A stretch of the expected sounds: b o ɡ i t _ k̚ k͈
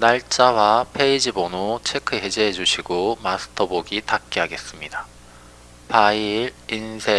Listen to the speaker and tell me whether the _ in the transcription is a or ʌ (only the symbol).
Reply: a